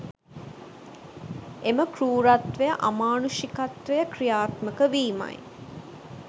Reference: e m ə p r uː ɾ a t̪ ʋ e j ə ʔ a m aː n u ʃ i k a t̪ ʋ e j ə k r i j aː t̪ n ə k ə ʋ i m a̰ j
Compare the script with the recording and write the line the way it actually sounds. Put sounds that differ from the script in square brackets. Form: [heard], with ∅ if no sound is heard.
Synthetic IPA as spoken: e m ə [k] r uː ɾ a t̪ ʋ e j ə ʔ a m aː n u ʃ i k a t̪ ʋ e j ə k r i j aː t̪ [m] ə k ə ʋ [iː] m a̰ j